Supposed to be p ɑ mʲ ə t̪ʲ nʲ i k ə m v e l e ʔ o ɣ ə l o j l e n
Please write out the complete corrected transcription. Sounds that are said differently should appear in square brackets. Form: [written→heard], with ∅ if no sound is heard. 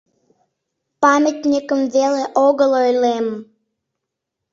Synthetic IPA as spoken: p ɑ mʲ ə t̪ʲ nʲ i k ə m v e l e ʔ o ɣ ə l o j l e [n→m]